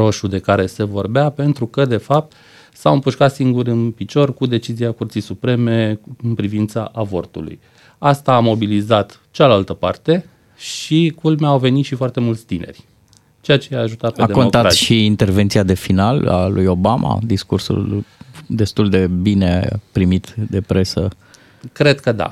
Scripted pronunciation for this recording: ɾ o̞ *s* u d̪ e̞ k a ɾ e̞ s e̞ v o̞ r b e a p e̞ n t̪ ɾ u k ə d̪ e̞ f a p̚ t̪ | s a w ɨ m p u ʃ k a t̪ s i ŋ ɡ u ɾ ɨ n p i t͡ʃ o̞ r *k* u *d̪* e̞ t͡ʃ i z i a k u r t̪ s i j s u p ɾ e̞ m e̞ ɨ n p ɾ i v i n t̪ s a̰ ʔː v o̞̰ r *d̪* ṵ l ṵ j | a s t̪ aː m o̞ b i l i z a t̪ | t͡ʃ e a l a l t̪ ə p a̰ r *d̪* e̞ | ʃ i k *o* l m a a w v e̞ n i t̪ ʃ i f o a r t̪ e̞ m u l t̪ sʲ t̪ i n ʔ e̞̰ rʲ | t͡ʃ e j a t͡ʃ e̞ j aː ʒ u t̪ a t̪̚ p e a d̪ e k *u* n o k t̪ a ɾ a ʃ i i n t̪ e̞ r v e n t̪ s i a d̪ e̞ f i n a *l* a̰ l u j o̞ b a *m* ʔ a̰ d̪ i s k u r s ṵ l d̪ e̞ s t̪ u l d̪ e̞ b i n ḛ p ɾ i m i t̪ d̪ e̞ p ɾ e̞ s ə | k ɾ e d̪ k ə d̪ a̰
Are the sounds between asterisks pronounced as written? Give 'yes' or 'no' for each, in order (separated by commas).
no, yes, yes, no, no, no, no, yes, yes